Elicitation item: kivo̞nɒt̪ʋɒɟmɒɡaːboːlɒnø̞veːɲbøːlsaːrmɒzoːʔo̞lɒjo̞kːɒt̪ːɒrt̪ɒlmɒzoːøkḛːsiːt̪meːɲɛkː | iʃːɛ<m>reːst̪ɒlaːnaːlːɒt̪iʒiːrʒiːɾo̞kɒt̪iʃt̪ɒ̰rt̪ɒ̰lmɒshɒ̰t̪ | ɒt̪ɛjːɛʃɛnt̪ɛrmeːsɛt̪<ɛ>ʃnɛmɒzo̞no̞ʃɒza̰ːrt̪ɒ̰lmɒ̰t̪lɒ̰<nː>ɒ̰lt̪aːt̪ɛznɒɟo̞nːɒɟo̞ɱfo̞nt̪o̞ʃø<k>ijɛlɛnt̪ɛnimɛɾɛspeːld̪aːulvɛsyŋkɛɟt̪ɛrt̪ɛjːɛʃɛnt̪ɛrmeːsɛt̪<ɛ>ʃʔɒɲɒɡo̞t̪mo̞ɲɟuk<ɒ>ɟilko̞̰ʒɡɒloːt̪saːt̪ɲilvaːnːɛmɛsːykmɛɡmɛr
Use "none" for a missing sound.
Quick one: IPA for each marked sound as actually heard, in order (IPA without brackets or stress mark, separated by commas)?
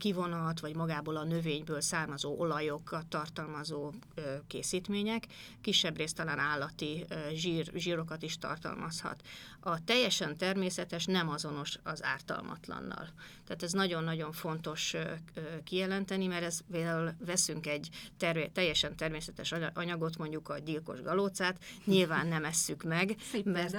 b, ɛ, nː, k, ɛ, ɒ